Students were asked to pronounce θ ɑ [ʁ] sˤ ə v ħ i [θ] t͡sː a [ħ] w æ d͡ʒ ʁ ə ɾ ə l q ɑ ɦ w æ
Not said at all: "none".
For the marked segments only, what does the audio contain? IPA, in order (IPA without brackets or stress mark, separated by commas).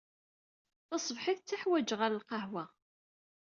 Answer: none, θ, ħ